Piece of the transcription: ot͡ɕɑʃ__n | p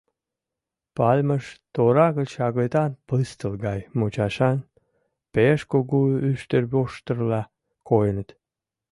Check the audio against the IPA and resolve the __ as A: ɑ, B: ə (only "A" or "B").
A